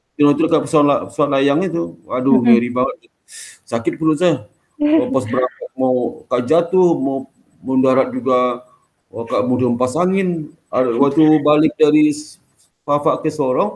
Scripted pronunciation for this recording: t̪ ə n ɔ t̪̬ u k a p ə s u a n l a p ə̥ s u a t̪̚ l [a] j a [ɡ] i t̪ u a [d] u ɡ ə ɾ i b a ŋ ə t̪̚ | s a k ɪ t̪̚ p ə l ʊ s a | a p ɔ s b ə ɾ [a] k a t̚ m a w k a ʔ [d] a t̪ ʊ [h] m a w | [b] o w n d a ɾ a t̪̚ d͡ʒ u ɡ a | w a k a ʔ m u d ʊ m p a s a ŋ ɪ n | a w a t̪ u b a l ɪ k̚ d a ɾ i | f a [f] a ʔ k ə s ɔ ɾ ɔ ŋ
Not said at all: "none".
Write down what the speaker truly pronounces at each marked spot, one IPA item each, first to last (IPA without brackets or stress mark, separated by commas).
a, ŋ, d, a, d͡ʒ, h, m, f